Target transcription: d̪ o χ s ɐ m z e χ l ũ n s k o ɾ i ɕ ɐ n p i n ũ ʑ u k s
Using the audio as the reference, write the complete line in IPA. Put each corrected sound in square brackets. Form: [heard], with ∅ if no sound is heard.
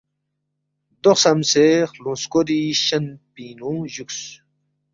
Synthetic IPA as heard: d̪ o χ s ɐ m [s] e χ l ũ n s k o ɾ i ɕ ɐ n p i n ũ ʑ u k s